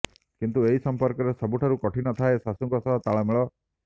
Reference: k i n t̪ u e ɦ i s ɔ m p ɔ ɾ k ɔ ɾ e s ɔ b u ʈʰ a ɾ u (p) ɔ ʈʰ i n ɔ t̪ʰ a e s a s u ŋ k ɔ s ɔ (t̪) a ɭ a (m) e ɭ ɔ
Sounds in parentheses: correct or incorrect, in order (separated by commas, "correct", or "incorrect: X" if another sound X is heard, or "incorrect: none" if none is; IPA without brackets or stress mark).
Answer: incorrect: k, correct, correct